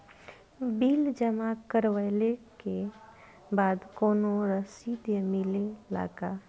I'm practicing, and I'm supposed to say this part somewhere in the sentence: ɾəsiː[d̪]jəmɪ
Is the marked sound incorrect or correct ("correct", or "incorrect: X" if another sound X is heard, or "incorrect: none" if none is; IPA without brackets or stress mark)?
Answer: correct